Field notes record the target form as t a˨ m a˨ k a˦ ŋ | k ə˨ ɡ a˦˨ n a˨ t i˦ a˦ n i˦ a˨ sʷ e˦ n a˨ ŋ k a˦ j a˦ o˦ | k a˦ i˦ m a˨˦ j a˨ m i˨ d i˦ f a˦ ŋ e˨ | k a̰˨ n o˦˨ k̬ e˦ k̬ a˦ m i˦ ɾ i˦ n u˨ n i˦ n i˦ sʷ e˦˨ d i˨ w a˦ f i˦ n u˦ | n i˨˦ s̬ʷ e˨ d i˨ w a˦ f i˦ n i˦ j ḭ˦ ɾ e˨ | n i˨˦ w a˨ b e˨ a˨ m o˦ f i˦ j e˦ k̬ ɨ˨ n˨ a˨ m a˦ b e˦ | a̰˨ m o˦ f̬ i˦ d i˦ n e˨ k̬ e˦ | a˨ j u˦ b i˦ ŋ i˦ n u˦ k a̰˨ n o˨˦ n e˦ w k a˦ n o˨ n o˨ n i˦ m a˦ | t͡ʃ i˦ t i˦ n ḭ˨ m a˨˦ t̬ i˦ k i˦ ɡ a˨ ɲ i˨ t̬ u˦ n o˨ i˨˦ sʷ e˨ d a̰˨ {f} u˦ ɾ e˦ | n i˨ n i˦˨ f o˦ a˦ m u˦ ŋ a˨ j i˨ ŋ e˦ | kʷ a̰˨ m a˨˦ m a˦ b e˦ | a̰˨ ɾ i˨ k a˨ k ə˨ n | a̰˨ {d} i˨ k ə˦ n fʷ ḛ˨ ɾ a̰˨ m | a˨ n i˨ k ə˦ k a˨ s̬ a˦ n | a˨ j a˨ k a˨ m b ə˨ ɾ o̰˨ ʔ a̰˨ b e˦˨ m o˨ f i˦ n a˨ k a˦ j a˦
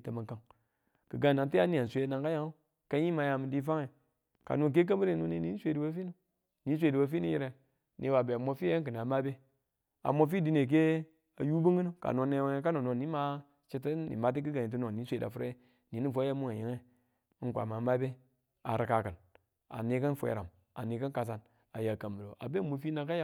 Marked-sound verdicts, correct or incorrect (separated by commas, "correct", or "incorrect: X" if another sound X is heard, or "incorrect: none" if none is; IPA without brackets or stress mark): correct, incorrect: n